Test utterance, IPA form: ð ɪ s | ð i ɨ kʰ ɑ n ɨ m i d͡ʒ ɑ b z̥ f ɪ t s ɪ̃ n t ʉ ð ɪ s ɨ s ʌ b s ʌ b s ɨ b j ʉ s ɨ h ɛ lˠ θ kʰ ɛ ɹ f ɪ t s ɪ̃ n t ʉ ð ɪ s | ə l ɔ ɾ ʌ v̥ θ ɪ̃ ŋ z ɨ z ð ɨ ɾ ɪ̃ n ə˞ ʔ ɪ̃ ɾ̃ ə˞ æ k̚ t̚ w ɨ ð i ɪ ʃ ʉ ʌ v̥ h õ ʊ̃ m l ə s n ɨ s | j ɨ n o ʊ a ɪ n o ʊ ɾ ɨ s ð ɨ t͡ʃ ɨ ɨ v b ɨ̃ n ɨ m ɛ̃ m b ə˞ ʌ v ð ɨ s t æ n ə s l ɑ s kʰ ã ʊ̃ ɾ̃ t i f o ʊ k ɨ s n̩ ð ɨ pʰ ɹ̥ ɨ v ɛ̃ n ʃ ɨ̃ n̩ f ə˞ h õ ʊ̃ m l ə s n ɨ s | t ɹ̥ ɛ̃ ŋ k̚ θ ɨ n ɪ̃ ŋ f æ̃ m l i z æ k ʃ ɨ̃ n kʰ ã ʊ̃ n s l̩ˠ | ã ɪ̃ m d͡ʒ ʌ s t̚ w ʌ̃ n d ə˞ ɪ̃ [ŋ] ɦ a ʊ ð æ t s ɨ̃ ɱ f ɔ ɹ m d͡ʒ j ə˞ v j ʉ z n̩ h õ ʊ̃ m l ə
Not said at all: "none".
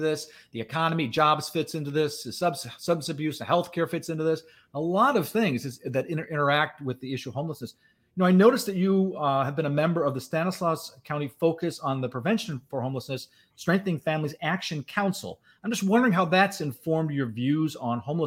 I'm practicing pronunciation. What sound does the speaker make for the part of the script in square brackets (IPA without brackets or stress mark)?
ŋ